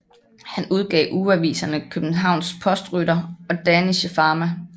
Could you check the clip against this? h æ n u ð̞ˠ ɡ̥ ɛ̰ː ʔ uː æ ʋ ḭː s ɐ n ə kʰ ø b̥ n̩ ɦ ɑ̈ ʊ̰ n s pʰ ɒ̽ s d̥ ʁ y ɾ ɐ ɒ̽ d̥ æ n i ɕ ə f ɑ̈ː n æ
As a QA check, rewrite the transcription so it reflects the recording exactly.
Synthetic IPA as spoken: h æ n u ð̞ˠ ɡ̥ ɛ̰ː ʔ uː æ ʋ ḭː s ɐ n ə kʰ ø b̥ n̩ ɦ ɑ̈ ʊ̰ n s pʰ ɒ̽ s d̥ ʁ y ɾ ɐ ɒ̽ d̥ æ n i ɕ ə f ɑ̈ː m æ